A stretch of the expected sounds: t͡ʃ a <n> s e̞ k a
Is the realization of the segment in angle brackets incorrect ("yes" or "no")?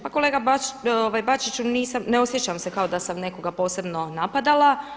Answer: yes